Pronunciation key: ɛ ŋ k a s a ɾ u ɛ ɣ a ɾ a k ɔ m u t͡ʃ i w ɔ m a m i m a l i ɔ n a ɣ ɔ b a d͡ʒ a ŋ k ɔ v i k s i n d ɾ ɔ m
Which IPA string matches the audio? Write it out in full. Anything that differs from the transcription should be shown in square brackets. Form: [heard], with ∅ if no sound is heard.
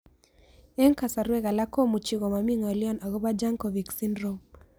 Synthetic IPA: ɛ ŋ k a s a ɾ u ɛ ɣ a [l] a k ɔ m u t͡ʃ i [ɣ] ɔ m a m i [ŋ] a l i ɔ n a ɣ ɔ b a d͡ʒ a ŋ k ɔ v i k s i n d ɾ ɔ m